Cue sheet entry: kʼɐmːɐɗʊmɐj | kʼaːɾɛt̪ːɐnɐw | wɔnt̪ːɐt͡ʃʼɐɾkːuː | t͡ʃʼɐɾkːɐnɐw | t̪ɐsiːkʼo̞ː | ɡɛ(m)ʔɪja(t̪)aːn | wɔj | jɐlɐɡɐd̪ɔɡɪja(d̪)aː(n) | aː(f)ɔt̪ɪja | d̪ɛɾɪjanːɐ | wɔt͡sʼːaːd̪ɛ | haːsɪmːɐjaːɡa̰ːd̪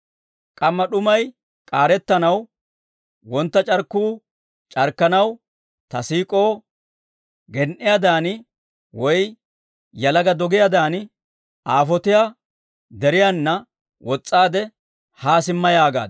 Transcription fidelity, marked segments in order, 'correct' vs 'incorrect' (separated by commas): incorrect, incorrect, correct, correct, correct